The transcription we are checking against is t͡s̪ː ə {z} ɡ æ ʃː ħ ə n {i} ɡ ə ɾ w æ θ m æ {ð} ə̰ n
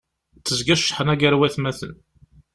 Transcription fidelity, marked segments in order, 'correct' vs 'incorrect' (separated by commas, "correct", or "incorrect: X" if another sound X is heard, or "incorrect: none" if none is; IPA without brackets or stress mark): correct, incorrect: æ, incorrect: θ